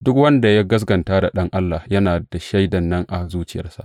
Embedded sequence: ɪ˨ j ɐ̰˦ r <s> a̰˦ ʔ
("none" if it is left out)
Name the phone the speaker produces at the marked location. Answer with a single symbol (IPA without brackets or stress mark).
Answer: s